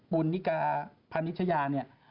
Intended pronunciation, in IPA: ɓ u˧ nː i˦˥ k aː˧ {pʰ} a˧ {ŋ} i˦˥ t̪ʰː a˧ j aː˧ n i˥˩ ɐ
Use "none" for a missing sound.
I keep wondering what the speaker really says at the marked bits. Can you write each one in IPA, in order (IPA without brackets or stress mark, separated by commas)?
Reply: pʰ, n